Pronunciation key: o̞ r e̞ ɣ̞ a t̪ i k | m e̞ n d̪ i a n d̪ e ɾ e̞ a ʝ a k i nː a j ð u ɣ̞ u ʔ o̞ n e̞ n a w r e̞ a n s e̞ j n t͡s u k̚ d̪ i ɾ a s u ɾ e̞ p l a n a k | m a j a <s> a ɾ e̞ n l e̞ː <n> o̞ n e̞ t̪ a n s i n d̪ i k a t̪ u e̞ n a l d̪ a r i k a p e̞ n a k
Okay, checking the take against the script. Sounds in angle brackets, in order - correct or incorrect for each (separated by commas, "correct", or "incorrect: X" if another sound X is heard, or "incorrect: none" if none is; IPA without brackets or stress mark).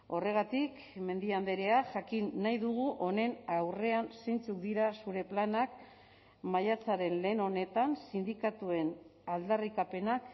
incorrect: t͡s, correct